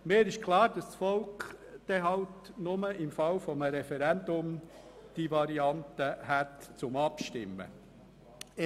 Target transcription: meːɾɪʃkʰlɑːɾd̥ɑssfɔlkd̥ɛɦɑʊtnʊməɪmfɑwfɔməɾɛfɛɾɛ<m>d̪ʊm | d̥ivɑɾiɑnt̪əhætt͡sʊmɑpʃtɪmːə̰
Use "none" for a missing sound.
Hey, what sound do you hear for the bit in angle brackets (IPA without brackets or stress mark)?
n